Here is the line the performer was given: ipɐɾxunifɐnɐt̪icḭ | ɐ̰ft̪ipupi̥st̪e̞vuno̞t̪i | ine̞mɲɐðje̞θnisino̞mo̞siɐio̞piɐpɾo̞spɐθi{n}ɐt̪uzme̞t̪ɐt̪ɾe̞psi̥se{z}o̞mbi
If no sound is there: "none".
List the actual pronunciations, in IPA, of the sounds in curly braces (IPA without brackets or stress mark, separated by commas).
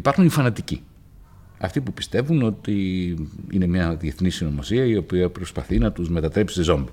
n, z